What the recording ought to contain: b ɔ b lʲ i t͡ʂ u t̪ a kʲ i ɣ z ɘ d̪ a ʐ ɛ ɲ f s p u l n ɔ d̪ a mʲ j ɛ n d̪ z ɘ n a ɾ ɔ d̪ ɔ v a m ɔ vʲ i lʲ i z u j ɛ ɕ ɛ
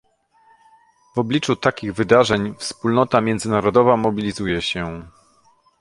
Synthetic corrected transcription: v ɔ b lʲ i t͡ʂ u t̪ a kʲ i ɣ v ɘ d̪ a ʐ ɛ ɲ f s p u l n ɔ t̪ a mʲ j ɛ n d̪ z ɘ n a ɾ ɔ d̪ ɔ v a m ɔ bʲ i lʲ i z u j ɛ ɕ ɛ